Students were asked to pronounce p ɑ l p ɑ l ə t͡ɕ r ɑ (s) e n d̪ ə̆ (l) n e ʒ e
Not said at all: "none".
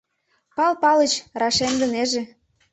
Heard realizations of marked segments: ʃ, none

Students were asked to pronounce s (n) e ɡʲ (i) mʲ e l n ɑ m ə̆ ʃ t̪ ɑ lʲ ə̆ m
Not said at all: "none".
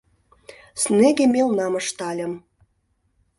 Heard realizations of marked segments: n, e

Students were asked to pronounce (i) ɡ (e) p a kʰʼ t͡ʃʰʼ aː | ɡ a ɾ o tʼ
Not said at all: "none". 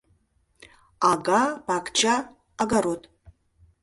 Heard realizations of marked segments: a, a

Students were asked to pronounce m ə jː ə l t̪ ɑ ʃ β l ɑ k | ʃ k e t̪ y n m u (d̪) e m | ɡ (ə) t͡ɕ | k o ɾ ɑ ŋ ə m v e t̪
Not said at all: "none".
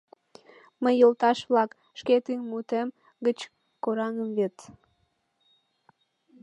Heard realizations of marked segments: t̪, ə

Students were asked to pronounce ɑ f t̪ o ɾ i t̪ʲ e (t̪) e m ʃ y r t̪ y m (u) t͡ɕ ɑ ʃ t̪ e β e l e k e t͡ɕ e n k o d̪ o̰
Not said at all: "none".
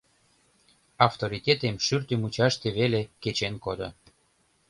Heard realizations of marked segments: t̪, u

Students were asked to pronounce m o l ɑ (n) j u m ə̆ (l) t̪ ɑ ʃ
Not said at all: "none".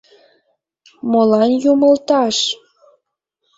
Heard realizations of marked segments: n, l

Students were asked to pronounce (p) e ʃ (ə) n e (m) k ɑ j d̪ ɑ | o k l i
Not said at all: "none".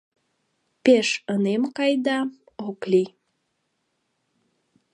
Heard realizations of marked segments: p, ə, m

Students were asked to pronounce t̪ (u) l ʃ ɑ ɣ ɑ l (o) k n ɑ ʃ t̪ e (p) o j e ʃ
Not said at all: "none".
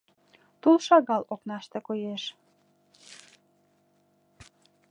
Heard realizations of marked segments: u, o, k

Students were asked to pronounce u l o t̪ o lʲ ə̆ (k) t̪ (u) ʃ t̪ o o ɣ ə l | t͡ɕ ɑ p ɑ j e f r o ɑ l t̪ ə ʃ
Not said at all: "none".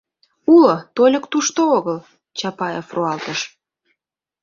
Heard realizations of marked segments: k, u

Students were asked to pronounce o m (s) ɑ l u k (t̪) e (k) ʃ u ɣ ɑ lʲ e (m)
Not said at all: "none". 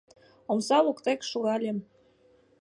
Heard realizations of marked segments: s, t̪, k, m

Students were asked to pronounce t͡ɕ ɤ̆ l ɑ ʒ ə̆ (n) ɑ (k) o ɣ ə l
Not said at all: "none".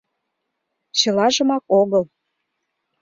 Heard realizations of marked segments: m, k

